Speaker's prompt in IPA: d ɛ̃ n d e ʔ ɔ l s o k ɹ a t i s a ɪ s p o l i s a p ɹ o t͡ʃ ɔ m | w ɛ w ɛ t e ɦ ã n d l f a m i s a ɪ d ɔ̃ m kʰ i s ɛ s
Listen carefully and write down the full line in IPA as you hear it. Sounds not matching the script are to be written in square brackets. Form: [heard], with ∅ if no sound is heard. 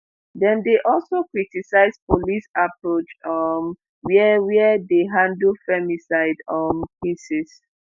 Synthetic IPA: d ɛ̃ n d e ʔ ɔ l s o k ɹ [i] t i s a ɪ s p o l i s a p ɹ o t͡ʃ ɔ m | w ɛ w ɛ [d] e ɦ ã n d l f [ɛ] m i s a ɪ d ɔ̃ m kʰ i s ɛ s